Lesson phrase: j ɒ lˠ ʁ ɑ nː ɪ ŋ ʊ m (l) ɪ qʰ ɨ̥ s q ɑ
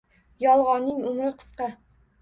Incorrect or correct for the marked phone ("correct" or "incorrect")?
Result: incorrect